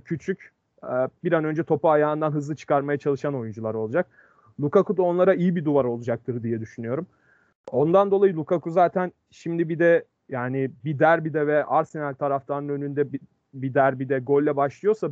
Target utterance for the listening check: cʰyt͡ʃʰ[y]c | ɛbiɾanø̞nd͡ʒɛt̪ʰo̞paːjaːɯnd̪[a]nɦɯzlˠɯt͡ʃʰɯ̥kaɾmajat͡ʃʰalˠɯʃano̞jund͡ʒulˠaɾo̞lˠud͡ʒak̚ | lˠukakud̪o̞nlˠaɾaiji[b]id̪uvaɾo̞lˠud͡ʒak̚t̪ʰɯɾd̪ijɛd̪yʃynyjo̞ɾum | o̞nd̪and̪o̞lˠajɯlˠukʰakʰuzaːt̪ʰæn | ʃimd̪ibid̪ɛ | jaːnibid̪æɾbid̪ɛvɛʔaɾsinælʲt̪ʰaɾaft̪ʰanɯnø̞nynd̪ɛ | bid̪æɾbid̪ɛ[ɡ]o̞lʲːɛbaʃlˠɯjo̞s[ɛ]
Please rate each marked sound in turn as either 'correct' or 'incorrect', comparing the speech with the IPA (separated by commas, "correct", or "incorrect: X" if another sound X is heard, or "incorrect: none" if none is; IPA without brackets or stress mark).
correct, correct, correct, correct, incorrect: a